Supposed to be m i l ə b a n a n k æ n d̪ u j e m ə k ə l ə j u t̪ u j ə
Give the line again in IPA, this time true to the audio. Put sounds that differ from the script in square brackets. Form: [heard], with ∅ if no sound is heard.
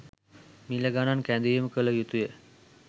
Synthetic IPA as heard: m i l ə [ɡ] a n a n k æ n d̪ u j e m ə k ə l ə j u t̪ u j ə